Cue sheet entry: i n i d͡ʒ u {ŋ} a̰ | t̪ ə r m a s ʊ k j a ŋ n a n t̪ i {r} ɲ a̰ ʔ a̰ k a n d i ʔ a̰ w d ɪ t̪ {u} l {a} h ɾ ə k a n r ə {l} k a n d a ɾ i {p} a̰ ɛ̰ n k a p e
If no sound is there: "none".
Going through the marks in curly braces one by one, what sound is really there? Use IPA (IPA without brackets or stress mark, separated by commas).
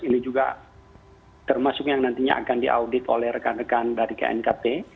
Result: ɡ, none, o, ɛ, none, k